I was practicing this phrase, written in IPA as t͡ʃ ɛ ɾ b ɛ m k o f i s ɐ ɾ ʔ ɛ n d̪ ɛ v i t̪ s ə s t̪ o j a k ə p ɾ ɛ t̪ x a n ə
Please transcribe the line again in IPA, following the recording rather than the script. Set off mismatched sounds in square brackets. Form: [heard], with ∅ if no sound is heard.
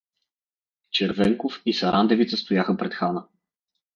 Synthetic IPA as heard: t͡ʃ ɛ ɾ [v] ɛ [ŋ] k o f i s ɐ ɾ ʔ [a] n d̪ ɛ v i t̪ s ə s t̪ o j a [x] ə p ɾ ɛ t̪ x a n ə